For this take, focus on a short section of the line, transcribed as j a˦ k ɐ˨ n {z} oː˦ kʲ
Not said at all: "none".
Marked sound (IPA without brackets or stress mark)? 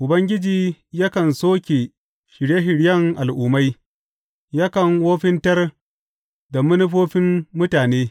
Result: s